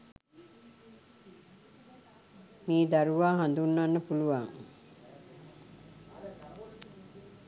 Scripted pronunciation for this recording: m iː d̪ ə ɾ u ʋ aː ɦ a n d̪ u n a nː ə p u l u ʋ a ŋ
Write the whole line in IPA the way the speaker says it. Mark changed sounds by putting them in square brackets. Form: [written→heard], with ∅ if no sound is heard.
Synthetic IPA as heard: m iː d̪ [ə→a] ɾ u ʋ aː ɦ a n d̪ u [n→nː] a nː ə p u l u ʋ a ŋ